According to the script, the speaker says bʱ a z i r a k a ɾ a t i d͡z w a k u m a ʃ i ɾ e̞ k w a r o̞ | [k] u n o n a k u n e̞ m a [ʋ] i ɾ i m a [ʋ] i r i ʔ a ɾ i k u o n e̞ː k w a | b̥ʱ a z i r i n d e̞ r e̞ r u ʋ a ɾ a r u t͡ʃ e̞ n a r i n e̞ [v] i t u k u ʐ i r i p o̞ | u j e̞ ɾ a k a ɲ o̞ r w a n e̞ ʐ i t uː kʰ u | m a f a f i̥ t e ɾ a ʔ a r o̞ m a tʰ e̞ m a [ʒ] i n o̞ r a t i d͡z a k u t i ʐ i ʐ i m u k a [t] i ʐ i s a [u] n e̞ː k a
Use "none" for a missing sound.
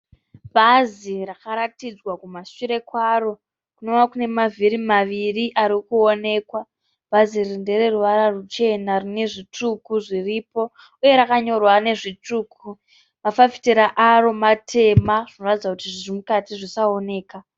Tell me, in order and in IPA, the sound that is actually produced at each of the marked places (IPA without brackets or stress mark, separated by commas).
k, v, ʋ, ʐ, ʐ, t, o